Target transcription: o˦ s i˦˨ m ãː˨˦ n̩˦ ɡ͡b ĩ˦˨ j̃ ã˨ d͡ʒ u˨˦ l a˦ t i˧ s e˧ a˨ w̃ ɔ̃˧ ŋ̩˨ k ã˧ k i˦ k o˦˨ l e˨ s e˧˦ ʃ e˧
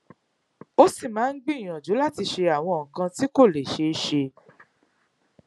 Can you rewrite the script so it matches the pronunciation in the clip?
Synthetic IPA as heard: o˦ s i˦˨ m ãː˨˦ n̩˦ ɡ͡b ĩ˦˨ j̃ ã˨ d͡ʒ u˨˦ l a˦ t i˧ ʃ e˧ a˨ w̃ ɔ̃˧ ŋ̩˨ k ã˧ t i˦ k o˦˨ l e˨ ʃ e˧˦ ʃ e˧

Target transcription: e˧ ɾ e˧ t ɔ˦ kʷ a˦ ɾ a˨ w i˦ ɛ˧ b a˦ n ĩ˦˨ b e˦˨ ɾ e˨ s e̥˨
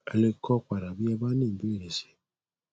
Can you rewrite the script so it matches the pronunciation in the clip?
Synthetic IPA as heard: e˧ l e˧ k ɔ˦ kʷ a˨ ɾ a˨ b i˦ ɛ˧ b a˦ n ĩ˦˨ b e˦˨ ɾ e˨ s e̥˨

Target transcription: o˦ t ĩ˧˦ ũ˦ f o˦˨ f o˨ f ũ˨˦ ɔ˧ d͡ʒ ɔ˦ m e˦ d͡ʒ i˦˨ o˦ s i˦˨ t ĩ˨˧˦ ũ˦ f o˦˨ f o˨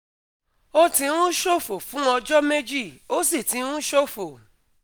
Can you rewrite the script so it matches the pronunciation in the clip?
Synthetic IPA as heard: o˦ t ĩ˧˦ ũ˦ ʃ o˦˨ f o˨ f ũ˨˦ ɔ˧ d͡ʒ ɔ˦ m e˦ d͡ʒ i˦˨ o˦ s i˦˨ t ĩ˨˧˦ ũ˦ ʃ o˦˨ f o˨

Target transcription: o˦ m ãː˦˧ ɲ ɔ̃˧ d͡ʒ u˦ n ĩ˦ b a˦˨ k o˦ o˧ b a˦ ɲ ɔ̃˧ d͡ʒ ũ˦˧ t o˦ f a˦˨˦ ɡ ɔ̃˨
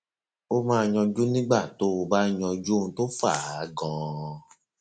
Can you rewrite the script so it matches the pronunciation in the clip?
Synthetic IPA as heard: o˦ m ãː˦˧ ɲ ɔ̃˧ d͡ʒ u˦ n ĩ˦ ɡ͡b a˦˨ t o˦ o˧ b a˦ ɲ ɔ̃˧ d͡ʒ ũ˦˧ t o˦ f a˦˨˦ ɡ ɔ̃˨

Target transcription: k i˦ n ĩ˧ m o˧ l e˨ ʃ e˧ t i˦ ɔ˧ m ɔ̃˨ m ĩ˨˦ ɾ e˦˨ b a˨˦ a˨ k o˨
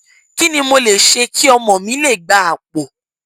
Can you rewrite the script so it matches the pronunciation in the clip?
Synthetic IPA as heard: k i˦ n ĩ˧ m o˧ l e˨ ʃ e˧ k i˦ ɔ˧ m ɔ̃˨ m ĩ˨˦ l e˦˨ ɡ͡b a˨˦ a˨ k͡p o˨

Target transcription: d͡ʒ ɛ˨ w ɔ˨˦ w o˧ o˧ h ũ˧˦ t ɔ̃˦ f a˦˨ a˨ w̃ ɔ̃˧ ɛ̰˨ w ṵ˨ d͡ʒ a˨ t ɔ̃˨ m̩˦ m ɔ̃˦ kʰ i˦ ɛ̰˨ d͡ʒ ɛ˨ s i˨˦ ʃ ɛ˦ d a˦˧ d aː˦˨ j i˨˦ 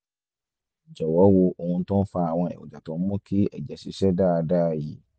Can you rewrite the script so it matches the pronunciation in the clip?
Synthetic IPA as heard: d͡ʒ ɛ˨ w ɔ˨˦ w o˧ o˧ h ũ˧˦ t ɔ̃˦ f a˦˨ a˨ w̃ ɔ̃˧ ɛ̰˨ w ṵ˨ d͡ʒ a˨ t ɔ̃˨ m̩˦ m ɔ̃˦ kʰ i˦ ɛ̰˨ d͡ʒ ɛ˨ s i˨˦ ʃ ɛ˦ d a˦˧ d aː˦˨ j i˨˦

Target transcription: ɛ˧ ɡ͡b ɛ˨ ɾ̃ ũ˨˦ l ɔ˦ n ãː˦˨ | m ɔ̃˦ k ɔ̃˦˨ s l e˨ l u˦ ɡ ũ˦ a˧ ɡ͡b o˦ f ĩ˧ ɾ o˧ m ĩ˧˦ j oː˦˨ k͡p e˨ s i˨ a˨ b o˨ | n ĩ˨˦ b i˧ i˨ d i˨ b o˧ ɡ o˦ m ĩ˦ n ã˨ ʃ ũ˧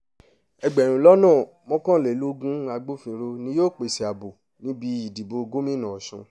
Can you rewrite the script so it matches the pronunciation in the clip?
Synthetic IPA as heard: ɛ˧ ɡ͡b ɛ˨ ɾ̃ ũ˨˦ l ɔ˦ n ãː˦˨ | m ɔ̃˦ k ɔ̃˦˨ l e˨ l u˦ ɡ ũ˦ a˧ ɡ͡b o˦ f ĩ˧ ɾ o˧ n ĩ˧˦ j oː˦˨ k͡p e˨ s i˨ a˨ b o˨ | n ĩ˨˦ b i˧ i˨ d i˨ b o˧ ɡ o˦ m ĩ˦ n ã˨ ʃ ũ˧

